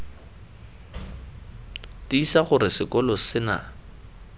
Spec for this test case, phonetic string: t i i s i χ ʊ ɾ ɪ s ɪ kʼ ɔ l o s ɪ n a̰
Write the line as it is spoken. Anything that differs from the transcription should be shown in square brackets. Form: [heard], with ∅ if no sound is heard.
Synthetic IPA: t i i s [a] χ ʊ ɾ ɪ s ɪ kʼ ɔ l [ɔ] s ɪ n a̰